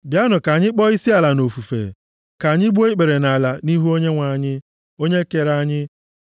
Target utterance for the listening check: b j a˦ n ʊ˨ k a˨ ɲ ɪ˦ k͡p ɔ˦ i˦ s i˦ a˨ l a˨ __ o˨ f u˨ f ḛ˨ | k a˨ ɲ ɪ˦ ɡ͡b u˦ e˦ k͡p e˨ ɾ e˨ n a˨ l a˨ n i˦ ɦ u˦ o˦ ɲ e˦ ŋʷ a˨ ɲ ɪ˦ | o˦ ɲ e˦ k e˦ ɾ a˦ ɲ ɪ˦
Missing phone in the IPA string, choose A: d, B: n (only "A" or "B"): B